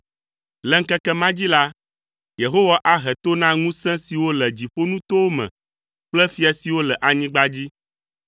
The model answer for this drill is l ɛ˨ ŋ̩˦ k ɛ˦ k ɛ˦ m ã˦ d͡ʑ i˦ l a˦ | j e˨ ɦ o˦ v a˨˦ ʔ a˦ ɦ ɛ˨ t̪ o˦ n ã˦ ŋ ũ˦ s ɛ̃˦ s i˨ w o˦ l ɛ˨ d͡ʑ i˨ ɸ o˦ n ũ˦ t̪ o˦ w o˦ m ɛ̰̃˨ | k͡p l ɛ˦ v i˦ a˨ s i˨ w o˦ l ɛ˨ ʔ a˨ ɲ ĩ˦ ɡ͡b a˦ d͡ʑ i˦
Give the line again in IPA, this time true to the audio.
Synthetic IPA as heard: l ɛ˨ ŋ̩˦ k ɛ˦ k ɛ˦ m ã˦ d͡ʑ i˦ l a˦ | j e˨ ɦ o˦ w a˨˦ ʔ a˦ ɦ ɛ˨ t̪ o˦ n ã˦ ŋ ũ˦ s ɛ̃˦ s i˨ w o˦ l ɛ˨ d͡ʑ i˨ ɸ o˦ n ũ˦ t̪ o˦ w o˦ m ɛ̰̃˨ | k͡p l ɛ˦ f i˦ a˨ s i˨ w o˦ l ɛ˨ ʔ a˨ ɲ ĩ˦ ɡ͡b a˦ d͡ʑ i˦